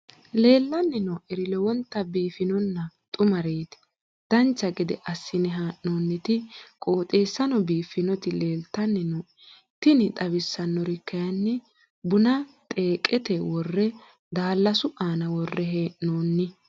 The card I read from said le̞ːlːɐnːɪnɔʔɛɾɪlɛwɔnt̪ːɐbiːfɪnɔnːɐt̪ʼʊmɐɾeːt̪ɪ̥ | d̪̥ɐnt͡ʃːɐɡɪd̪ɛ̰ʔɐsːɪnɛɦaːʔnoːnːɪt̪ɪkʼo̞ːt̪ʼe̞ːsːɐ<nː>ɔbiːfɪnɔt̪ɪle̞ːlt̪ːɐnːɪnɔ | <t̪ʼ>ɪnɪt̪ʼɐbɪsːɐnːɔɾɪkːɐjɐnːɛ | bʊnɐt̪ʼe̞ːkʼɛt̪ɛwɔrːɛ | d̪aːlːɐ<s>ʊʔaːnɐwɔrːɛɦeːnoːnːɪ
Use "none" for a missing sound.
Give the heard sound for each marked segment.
n, t̪, s

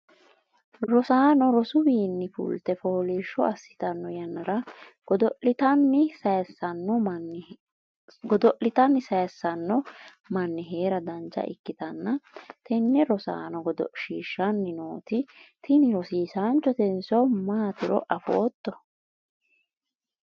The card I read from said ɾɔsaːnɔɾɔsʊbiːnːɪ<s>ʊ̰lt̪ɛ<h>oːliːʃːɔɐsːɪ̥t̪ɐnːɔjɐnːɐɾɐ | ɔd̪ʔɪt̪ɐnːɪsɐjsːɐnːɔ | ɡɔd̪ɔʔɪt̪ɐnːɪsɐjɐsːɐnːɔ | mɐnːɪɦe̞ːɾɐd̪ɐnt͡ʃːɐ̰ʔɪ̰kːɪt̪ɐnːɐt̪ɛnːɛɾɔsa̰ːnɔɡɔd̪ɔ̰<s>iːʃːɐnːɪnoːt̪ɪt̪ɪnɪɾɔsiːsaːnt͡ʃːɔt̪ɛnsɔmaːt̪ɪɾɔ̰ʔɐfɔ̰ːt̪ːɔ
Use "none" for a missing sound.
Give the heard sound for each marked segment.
f, f, ʃ

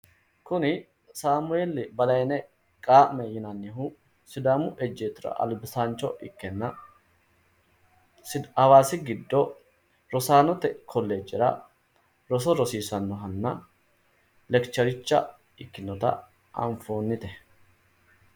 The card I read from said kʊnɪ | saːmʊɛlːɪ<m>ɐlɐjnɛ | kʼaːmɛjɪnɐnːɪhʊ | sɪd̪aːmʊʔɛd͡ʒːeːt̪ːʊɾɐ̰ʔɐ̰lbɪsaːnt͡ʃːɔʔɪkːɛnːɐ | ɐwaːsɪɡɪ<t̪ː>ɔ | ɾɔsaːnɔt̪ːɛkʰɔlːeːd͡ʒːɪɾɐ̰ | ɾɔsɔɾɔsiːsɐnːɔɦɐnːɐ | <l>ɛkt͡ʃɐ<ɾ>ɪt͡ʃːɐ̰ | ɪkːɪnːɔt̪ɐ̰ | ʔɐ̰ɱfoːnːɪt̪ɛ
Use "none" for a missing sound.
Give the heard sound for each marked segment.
b, d̪ː, l, ɾ

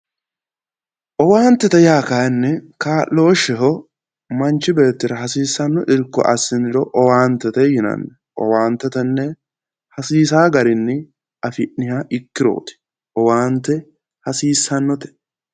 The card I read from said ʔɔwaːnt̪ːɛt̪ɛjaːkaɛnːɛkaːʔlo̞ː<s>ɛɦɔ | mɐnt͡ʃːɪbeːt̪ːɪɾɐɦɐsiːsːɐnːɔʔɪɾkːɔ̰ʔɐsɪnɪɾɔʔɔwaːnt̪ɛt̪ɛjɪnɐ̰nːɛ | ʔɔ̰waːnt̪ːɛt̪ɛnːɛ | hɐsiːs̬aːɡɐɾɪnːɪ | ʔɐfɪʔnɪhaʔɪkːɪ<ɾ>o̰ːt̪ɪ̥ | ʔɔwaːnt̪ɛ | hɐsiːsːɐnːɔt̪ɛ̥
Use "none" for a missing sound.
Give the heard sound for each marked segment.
ʃ, ɾ

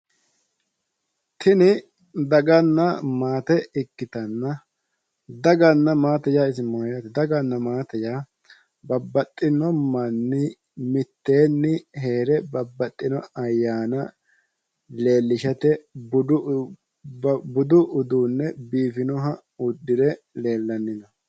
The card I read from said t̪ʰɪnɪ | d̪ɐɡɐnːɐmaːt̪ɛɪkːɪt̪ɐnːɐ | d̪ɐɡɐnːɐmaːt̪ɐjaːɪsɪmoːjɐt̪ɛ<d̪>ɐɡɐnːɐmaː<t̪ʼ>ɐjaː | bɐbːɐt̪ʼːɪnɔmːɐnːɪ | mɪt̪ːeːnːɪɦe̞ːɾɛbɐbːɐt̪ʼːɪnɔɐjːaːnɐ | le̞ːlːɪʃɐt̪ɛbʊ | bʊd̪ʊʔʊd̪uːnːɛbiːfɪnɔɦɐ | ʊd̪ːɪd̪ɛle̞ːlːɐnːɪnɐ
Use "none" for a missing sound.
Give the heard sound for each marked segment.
d̪, t̪

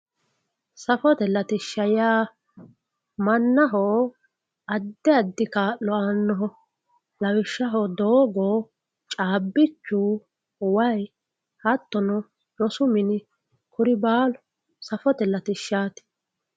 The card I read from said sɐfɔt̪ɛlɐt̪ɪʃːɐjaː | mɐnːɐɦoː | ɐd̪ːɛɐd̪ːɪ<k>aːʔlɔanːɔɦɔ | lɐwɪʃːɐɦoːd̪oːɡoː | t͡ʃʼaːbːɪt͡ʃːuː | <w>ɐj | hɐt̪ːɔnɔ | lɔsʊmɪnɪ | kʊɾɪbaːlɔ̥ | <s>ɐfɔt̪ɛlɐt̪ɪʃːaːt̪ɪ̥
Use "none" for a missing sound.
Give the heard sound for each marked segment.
k, w, s

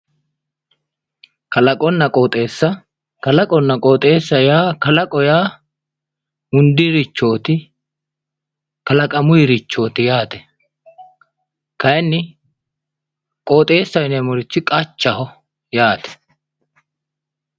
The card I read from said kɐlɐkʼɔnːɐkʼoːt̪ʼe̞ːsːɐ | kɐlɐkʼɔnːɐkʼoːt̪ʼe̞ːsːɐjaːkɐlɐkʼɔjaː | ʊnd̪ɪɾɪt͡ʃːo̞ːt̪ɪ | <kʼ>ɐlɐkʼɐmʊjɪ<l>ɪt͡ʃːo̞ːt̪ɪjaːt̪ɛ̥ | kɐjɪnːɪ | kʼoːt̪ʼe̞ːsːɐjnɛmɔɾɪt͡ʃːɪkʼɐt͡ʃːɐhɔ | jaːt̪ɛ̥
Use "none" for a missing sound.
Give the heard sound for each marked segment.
k, ɾ

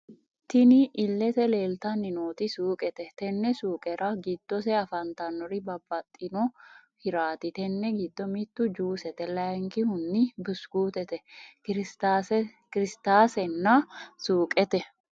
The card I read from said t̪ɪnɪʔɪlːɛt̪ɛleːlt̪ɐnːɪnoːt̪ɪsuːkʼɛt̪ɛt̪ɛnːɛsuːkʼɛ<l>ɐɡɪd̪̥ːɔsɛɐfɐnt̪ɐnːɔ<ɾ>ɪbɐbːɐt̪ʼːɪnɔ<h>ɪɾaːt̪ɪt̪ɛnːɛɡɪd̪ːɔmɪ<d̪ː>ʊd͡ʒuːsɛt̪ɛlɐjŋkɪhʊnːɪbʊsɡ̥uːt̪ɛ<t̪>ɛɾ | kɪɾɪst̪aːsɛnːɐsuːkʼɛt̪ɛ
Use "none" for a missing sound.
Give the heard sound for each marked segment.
ɾ, ɾ, h, t̪ː, t̪

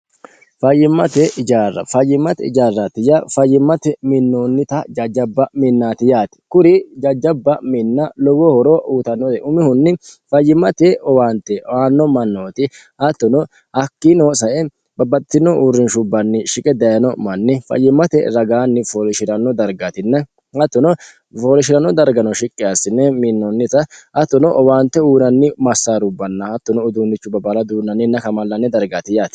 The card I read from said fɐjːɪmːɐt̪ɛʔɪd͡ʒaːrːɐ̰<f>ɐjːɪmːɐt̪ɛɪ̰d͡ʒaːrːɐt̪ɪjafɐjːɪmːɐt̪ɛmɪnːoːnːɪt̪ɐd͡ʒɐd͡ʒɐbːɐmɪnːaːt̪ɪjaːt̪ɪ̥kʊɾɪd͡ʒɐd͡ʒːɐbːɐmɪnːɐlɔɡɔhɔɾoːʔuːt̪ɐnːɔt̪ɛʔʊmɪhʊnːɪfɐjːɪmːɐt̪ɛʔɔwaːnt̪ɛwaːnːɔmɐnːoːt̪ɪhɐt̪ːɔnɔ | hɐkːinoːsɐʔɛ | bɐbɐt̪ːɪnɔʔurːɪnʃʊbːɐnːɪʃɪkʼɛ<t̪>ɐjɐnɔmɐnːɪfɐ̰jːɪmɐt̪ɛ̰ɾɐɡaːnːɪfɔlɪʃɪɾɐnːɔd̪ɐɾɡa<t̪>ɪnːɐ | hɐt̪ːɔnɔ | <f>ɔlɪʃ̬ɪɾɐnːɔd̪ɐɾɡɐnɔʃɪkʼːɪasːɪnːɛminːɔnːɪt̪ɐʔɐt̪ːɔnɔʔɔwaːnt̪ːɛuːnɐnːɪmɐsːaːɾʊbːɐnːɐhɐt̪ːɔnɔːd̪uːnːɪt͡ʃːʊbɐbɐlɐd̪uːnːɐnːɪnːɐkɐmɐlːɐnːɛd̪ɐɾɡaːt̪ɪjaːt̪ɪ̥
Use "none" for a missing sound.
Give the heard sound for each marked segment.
f, d̪, t̪, f

